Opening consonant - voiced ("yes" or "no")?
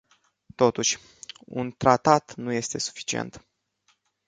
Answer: no